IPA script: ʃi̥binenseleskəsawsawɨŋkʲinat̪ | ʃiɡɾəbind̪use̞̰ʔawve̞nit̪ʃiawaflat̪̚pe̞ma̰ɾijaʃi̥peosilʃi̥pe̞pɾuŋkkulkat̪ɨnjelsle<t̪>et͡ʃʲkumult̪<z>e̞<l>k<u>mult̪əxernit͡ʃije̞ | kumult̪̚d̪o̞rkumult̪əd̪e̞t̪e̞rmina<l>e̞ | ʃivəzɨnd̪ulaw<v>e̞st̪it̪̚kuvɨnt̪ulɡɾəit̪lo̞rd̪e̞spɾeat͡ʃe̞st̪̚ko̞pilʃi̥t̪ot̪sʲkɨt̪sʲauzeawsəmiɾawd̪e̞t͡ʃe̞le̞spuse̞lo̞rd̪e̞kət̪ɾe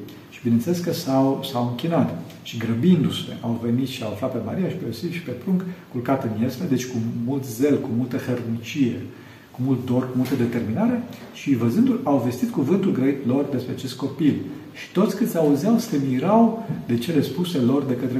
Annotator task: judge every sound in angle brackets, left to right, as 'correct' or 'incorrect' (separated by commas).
incorrect, correct, correct, correct, incorrect, correct